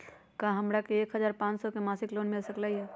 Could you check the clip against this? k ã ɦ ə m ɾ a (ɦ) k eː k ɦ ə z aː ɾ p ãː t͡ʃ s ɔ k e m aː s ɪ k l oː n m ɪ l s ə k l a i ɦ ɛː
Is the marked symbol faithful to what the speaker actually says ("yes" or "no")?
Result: no